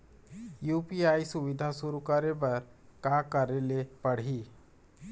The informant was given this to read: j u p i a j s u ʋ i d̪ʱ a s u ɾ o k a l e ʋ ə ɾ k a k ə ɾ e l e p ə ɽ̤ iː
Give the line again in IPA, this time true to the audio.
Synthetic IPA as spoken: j u p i a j s u ʋ i d̪ʱ a s u ɾ u k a ɾ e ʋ ə ɾ k a k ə ɾ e l e p ə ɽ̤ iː